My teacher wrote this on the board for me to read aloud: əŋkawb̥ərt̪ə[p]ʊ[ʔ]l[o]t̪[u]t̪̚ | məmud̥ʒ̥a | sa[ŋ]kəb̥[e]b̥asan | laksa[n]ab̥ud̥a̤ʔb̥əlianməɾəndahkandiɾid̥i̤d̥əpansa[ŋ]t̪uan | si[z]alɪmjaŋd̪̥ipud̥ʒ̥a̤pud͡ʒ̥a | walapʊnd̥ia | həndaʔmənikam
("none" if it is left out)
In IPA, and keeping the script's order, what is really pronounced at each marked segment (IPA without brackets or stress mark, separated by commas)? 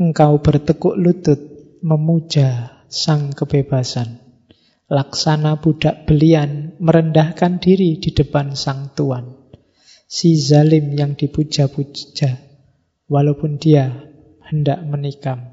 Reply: k, ʔ, u, ʊ, ŋ, e, n, ŋ, z